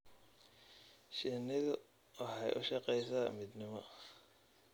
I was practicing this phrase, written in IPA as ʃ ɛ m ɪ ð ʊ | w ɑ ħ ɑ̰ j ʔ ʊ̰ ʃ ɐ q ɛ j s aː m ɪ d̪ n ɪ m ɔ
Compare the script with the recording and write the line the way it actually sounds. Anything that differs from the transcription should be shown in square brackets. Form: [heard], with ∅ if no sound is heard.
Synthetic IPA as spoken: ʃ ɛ [n] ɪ ð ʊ | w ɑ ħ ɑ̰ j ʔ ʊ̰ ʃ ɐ q ɛ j s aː m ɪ d̪ n ɪ m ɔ